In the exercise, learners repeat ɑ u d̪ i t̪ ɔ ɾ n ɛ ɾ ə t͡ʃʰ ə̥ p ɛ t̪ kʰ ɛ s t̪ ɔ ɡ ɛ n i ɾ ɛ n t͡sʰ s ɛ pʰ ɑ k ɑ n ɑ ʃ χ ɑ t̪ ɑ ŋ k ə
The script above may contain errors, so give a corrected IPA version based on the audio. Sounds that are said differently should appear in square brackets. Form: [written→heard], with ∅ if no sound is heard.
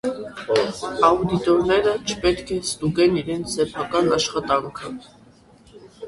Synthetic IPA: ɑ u d̪ i t̪ ɔ ɾ n ɛ ɾ ə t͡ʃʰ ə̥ p ɛ t̪ kʰ ɛ s t̪ [ɔ→u] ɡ ɛ n i ɾ ɛ n t͡sʰ s ɛ pʰ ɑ k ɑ n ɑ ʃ χ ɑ t̪ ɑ ŋ [k→kʰ] ə